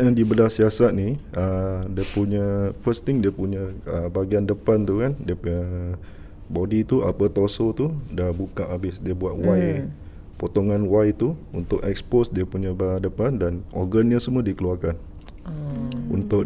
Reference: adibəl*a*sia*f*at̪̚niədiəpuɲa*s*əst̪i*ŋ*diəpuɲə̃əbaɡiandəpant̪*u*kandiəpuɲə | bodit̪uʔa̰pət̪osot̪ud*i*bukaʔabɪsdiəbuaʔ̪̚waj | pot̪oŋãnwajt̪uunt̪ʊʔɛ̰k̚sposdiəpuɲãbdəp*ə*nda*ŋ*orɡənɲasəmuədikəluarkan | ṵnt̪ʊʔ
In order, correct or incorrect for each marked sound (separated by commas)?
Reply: correct, incorrect, incorrect, correct, correct, incorrect, incorrect, incorrect